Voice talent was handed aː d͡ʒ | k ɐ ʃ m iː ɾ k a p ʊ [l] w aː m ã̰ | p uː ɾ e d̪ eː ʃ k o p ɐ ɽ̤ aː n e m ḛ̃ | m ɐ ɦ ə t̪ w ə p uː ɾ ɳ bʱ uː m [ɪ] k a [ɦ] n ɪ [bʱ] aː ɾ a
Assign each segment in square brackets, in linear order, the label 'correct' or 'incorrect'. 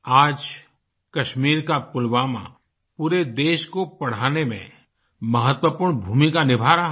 correct, incorrect, incorrect, correct

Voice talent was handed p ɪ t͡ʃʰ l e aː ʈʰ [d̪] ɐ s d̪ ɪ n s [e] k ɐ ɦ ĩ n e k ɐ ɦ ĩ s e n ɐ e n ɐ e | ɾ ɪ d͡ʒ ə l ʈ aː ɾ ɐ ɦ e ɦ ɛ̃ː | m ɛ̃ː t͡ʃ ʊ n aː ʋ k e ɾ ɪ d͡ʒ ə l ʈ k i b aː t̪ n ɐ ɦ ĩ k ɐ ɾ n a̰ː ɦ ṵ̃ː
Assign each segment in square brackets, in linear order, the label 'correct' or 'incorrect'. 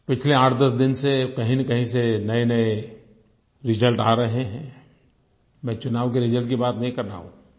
correct, correct

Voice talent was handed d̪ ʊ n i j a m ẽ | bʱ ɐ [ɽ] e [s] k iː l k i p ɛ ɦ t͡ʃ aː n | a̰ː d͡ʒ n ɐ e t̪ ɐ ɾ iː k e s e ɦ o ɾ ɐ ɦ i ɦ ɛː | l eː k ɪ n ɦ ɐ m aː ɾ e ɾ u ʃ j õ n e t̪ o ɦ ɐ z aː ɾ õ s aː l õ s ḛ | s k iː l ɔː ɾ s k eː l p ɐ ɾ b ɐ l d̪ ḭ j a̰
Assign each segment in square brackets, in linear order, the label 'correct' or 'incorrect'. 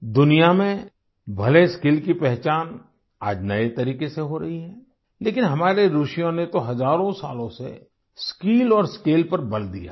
incorrect, correct

